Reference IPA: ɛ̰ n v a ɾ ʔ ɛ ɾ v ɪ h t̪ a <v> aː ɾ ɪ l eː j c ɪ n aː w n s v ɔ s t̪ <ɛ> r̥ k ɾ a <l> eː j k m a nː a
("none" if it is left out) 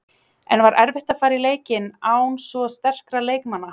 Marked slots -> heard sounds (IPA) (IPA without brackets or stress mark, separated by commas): f, ɛ, l